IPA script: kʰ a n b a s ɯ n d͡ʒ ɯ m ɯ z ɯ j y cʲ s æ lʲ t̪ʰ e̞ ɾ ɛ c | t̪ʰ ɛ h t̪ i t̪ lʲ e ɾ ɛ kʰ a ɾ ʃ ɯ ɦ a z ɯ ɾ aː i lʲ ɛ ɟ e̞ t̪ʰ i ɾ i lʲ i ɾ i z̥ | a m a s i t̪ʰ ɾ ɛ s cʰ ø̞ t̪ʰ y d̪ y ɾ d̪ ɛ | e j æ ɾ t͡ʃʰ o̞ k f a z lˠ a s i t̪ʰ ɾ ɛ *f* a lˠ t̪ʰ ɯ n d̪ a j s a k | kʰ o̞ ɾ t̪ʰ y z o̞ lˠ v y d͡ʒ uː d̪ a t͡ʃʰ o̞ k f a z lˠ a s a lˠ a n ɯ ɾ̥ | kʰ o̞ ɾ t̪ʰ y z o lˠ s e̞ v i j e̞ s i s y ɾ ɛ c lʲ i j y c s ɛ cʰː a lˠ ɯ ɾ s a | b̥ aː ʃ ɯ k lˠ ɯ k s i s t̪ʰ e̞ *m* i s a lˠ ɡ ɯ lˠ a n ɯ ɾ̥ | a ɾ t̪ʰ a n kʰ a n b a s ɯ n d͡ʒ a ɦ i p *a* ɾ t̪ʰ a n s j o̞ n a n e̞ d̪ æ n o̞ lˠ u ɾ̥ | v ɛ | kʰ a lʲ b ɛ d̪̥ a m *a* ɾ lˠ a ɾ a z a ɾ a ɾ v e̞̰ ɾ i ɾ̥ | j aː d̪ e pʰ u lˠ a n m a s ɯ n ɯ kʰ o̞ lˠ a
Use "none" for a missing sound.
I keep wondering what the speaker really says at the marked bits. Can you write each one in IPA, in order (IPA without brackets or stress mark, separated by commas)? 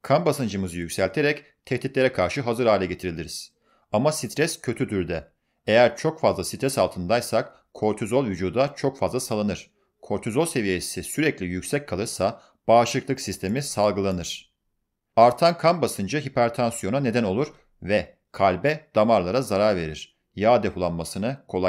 s, m, æ, a